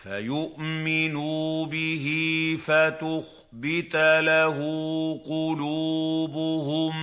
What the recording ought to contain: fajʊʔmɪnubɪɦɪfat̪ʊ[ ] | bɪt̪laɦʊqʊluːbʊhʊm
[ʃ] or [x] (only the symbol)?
x